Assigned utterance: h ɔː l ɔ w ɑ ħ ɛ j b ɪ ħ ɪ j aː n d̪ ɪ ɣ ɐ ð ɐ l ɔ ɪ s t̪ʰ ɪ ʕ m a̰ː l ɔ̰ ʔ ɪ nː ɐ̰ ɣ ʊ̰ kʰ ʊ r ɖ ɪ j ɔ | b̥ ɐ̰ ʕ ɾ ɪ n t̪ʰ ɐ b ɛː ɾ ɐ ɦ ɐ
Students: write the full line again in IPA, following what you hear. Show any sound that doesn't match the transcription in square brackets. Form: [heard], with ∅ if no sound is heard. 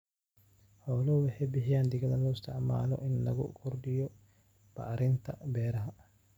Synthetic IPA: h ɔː l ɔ w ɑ ħ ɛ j b ɪ ħ ɪ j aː n d̪ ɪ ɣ ɐ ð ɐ l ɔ ɪ s t̪ʰ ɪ ʕ m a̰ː l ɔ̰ ʔ ɪ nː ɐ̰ ɣ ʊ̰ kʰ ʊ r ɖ ɪ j ɔ | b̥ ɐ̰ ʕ ɾ ɪ n t̪ʰ ɐ b ɛː ɾ ɐ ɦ ɐ